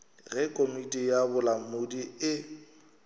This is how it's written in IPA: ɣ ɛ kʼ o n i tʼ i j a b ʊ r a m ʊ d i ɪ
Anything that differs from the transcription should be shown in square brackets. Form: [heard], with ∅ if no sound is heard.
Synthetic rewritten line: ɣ ɛ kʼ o [m] i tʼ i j a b ʊ [l] a m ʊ d i ɪ